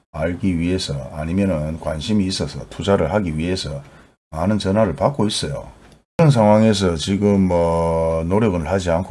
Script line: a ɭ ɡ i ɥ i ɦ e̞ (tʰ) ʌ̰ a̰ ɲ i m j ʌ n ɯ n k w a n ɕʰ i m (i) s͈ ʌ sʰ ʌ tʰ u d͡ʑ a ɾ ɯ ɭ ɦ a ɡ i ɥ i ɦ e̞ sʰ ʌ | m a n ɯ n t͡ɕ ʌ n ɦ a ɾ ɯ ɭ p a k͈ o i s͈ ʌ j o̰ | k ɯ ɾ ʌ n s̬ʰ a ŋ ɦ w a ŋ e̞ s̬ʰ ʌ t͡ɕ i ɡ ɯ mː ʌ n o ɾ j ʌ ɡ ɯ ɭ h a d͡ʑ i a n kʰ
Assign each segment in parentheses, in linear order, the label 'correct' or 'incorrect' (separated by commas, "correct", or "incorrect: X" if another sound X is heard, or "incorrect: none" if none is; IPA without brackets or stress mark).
incorrect: sʰ, incorrect: iː